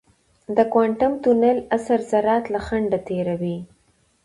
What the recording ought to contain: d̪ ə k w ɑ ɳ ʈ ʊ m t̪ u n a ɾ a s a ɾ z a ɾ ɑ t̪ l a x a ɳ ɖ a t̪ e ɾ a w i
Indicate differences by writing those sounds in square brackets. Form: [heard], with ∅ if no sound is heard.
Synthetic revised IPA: d̪ ə k w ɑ ɳ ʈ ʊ m t̪ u n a [l] a s a ɾ z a ɾ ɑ t̪ l a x a ɳ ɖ a t̪ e ɾ a w i